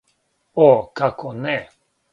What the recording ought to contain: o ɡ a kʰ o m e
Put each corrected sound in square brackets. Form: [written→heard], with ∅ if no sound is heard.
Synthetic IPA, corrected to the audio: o [ɡ→k] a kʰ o [m→n] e